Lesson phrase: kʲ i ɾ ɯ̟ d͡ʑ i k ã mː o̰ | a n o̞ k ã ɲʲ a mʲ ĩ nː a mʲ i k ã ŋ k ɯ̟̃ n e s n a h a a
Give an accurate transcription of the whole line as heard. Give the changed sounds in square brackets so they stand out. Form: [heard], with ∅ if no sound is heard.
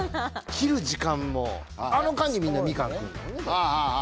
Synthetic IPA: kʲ i ɾ ɯ̟ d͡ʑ i k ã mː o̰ | a n o̞ k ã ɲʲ [i] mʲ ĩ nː a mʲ i k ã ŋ k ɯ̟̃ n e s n a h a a